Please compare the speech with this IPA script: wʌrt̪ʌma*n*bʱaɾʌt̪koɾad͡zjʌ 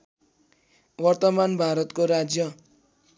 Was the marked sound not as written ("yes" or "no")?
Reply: no